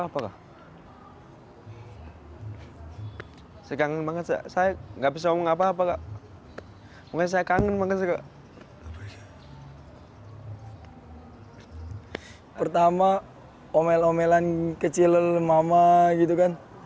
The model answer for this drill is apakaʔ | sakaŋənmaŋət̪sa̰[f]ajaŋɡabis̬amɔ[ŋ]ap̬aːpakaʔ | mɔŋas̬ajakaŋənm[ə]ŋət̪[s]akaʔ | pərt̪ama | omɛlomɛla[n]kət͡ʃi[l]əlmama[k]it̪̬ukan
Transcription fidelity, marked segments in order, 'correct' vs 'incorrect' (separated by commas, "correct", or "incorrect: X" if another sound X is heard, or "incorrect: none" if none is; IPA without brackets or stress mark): incorrect: s, correct, incorrect: a, correct, correct, correct, incorrect: ɡ